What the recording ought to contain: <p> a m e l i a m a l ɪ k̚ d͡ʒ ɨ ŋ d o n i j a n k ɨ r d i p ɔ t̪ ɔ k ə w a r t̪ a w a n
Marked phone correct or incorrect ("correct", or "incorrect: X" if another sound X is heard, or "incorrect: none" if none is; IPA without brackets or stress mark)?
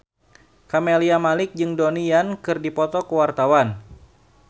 incorrect: k